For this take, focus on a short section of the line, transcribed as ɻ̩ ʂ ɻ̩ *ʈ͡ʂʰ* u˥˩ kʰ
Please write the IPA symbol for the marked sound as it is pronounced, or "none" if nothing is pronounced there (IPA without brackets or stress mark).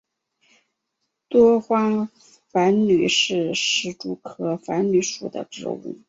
ʈ͡ʂ